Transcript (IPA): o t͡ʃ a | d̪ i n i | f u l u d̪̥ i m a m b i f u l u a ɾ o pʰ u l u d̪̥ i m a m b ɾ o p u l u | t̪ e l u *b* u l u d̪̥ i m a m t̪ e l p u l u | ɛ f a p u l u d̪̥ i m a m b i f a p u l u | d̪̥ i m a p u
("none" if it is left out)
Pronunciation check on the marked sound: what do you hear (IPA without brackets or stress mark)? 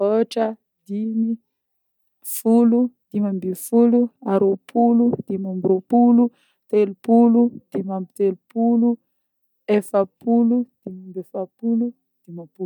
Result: p